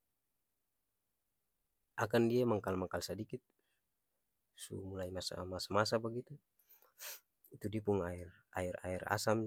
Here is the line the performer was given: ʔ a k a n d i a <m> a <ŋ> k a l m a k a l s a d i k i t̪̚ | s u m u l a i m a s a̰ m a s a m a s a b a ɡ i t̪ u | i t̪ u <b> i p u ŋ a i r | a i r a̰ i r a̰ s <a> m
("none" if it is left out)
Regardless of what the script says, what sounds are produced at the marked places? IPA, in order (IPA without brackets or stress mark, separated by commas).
m, ŋ, d, a